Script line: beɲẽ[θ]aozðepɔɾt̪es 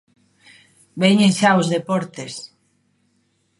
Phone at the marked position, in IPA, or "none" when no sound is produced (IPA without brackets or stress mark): ʃ